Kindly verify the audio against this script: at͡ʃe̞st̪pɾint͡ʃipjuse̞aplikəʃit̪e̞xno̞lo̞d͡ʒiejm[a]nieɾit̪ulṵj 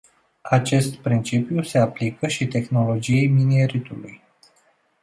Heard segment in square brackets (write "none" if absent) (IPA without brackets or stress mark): i